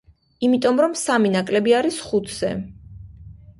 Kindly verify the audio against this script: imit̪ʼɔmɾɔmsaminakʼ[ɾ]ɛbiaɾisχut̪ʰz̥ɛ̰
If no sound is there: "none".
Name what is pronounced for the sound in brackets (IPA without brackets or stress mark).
l